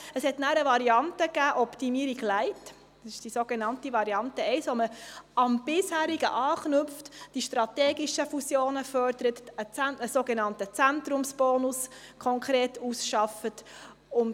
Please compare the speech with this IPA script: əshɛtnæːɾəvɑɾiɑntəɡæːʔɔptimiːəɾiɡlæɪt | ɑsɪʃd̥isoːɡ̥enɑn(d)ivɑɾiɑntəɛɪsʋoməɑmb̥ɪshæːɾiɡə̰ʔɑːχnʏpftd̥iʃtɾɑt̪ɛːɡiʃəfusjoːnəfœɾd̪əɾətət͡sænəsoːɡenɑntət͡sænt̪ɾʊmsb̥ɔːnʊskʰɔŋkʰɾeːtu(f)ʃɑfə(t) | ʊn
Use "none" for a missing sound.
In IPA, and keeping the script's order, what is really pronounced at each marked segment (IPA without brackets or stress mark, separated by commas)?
t, s, t